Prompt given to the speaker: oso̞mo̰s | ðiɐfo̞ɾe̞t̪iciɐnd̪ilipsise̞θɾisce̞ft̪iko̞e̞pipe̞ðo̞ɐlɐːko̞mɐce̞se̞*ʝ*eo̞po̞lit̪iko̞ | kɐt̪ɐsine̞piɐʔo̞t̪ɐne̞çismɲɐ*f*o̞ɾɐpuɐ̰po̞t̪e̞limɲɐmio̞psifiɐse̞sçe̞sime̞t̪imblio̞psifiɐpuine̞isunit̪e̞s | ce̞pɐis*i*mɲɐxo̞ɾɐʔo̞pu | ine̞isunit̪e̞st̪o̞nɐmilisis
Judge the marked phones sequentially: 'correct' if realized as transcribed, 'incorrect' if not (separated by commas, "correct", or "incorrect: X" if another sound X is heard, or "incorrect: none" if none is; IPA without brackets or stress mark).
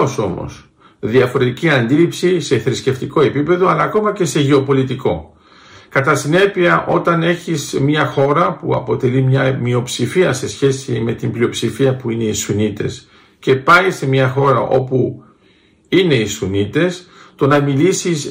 correct, incorrect: x, incorrect: e